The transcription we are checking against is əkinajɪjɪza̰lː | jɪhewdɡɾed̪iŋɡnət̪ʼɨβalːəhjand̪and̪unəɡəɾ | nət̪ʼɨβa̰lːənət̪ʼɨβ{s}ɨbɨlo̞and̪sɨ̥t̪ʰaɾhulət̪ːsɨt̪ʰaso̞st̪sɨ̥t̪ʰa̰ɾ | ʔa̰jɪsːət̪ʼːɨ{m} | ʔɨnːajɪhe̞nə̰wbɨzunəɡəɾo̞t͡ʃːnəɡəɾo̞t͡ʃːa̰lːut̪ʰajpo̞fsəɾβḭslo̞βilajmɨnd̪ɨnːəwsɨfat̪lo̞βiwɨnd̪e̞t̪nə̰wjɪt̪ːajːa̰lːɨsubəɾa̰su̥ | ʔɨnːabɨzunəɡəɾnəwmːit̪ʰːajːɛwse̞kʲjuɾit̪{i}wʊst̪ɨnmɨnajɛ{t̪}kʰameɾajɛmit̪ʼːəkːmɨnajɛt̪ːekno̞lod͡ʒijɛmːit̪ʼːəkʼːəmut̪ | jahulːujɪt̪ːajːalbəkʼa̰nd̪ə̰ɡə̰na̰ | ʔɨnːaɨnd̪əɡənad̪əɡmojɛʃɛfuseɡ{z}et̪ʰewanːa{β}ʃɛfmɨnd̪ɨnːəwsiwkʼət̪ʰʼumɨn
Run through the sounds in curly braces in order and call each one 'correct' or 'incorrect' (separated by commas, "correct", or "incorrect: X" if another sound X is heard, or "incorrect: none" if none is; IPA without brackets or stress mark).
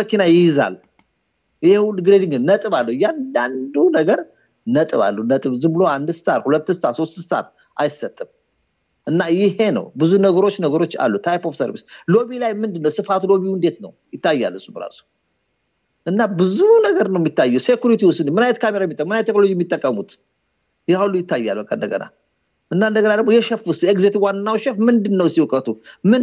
incorrect: z, correct, correct, correct, correct, incorrect: w